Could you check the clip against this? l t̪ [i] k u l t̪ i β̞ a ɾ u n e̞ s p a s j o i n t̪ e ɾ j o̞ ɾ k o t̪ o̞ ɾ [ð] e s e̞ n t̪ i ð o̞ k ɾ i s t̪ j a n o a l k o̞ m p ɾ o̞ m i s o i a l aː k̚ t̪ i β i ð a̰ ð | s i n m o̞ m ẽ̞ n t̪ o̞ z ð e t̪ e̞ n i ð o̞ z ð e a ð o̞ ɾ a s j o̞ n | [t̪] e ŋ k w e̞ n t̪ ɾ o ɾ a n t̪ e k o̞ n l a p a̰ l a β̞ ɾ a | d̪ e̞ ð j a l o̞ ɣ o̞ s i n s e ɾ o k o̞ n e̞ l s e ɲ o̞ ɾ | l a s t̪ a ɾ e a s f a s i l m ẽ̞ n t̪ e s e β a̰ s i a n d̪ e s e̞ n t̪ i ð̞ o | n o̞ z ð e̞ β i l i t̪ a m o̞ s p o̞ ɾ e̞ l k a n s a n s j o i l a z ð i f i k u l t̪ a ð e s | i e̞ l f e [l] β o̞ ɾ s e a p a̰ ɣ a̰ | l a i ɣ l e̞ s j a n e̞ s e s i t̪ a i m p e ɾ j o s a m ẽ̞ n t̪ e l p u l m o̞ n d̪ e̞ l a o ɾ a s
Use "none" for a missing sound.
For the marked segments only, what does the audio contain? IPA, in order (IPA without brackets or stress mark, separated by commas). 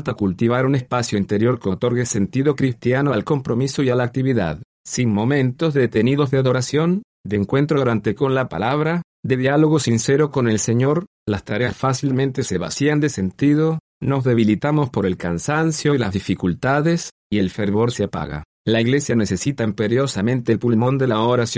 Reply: a, ɣ, d̪, ɾ